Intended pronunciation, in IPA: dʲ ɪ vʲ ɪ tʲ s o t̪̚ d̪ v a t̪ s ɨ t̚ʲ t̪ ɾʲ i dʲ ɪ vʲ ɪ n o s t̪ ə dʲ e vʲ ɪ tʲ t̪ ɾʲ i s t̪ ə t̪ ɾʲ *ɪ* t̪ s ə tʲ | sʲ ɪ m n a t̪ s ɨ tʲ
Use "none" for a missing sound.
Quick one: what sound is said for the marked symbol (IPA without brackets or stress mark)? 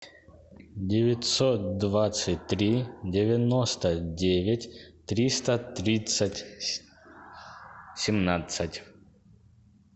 i